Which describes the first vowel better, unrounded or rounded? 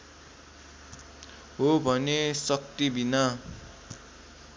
rounded